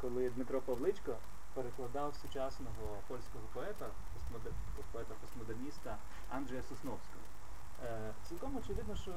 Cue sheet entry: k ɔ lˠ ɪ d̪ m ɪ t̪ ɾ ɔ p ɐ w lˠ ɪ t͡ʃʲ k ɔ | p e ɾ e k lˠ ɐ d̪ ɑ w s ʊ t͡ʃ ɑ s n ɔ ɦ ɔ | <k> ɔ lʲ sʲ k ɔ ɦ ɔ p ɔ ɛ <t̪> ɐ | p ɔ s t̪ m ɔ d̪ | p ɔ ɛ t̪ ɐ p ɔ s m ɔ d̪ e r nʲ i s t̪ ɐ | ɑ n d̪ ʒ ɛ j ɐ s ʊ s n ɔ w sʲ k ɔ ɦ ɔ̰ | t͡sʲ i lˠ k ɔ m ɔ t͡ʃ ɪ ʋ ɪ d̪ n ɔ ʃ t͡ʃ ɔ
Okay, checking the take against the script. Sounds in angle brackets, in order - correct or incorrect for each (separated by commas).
incorrect, correct